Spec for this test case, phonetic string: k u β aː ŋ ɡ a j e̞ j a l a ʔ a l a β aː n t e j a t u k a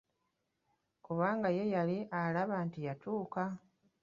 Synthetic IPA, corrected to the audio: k u β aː ŋ ɡ a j e̞ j a l i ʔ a l a β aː n t i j a t uː k a